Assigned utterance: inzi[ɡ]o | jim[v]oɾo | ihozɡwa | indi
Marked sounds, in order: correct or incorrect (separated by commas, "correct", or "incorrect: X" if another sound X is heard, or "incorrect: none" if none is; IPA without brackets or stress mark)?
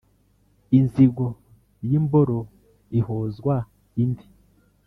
correct, incorrect: b